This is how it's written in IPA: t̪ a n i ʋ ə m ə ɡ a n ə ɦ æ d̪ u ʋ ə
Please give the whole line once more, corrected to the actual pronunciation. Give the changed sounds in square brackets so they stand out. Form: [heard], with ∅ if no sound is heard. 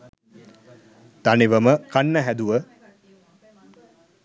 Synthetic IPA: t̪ a n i ʋ ə m ə [k] a [nː] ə ɦ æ d̪ u ʋ ə